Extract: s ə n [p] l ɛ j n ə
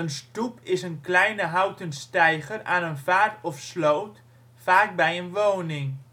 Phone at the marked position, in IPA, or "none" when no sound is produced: k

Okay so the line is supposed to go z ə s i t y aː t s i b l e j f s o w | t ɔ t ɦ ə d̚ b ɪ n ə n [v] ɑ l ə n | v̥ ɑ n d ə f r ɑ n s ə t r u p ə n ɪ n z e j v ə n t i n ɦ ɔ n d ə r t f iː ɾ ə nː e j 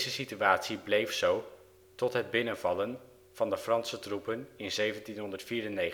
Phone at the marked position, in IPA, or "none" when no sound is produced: v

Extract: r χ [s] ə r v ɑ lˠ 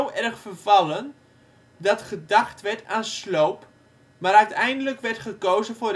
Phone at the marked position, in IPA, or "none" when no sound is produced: f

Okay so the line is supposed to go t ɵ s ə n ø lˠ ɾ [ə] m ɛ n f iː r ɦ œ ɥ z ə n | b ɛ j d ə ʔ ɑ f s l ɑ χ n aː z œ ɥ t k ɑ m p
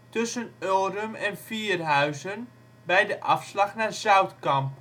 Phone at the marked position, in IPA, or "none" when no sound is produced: ə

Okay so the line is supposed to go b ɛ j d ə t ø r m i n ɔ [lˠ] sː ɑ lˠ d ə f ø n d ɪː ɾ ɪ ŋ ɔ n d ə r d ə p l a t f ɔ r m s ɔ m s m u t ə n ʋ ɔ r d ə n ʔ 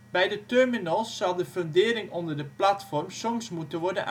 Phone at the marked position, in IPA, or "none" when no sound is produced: lˠ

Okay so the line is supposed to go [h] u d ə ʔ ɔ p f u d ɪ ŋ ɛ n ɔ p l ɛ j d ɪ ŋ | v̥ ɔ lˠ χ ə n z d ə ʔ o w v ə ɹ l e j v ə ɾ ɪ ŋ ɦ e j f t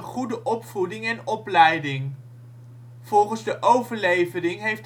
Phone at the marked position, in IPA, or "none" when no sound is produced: χ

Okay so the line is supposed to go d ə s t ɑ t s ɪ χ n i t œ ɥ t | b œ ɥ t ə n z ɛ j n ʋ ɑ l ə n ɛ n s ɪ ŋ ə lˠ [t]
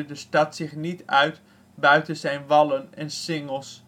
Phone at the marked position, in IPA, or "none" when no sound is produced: s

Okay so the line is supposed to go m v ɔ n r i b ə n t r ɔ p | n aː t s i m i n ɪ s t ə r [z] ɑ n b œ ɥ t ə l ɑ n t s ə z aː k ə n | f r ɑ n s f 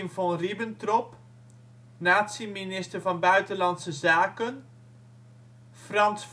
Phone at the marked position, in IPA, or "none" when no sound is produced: v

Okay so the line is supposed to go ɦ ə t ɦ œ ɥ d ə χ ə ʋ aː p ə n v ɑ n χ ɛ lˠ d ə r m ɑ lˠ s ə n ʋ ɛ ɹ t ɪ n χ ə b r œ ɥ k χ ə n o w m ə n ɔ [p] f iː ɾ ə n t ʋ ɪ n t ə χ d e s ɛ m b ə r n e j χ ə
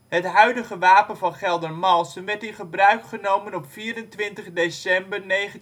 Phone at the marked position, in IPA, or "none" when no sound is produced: p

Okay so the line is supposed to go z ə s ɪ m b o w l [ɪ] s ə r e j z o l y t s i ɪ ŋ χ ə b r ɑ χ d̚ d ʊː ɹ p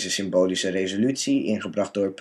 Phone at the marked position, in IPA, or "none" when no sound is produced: i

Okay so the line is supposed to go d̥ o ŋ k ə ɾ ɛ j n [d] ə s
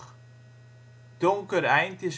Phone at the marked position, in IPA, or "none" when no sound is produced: t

